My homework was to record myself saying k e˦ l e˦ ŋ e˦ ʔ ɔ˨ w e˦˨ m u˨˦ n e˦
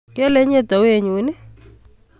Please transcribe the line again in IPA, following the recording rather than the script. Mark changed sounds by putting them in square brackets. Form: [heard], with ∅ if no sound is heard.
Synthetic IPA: k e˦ l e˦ [ɲ] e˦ [t] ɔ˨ w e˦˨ [ɲ] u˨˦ n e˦

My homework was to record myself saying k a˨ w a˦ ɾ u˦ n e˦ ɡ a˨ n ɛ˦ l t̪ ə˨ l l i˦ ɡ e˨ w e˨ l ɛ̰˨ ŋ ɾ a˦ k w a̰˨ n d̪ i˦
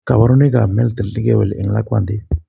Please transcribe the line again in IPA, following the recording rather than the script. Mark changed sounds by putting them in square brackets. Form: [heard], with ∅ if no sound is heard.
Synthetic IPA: k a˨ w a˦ ɾ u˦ n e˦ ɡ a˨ [m] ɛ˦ l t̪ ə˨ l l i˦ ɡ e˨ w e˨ l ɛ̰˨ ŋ [l] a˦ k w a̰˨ n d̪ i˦

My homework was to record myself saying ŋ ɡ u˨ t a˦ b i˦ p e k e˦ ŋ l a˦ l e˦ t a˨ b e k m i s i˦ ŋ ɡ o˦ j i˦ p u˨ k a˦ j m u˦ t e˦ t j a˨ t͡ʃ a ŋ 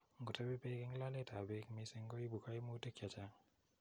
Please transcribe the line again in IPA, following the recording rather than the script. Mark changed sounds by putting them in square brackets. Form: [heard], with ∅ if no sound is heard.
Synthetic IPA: ŋ ɡ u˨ t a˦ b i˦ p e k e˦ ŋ l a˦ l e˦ t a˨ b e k m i s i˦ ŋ ɡ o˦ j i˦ [b] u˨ k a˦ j m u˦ t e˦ [k] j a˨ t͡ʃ a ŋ

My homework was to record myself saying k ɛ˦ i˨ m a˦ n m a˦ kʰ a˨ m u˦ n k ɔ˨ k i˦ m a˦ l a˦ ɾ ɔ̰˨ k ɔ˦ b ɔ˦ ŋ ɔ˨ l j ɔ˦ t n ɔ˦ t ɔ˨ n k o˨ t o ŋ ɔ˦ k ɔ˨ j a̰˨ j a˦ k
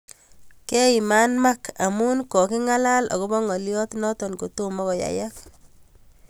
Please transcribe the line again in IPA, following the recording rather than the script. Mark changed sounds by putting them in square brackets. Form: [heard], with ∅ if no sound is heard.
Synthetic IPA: k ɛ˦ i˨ m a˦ n m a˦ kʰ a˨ m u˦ n k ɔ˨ k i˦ [ŋ] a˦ l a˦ [l] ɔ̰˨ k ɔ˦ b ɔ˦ ŋ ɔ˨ l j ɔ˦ t n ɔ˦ t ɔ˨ n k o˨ t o [m] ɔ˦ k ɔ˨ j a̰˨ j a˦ k

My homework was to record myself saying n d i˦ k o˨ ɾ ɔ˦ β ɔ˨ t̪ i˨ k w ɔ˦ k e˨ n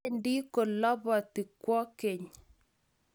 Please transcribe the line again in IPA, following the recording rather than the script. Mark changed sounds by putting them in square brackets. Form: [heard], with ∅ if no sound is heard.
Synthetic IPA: n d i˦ k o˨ [l] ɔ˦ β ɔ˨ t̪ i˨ k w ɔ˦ k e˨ [ɲ]

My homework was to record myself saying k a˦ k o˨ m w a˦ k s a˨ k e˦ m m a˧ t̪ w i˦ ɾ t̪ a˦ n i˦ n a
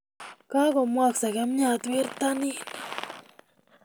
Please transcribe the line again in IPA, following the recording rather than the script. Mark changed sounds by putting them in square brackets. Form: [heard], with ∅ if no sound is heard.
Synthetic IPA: k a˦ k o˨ m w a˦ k s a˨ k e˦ m [ɲ] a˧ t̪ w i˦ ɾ t̪ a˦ n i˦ n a

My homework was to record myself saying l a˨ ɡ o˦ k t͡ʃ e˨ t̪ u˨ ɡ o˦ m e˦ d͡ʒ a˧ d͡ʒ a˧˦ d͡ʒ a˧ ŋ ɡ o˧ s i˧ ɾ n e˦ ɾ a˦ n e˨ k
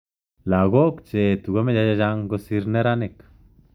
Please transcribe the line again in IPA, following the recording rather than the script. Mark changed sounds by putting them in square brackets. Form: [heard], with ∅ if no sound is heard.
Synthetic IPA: l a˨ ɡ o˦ k t͡ʃ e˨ t̪ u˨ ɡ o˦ m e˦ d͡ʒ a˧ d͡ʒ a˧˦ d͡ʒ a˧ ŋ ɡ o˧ s i˧ ɾ n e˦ ɾ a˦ n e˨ k

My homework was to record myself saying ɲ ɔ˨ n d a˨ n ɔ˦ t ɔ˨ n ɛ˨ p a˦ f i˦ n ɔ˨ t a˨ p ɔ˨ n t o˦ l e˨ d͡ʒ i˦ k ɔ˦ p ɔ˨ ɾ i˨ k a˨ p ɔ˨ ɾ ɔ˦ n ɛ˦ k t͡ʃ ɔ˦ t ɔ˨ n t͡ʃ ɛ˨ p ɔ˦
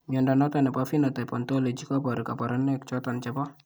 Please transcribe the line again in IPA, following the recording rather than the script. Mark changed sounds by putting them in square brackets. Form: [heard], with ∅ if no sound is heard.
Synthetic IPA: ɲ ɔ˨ n d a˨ n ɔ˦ t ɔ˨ n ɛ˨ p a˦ f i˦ n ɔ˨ t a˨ p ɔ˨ n t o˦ l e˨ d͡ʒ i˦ k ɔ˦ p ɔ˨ ɾ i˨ k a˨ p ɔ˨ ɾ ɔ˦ n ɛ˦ k t͡ʃ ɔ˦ t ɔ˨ n t͡ʃ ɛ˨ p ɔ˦

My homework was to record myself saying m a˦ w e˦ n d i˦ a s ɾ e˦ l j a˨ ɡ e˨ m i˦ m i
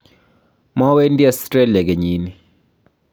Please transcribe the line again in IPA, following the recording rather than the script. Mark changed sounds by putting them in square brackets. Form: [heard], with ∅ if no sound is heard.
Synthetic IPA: m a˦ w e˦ n d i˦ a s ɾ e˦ l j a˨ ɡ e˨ [ɲ] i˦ [n] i

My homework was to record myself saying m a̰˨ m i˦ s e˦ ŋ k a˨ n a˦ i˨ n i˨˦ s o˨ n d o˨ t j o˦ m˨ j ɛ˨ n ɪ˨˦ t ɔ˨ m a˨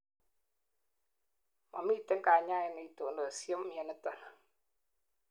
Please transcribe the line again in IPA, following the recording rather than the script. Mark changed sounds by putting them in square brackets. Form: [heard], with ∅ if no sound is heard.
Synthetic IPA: m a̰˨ m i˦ [t] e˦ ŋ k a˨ [ɲ] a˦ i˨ n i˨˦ [t] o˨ n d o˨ [s] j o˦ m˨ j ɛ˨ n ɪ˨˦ t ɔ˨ [n] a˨

